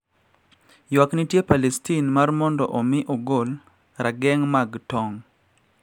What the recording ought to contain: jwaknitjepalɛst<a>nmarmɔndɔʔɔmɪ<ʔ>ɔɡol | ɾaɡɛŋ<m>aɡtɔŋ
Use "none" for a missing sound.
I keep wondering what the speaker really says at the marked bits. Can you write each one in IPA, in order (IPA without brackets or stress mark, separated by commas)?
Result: i, ʔ, m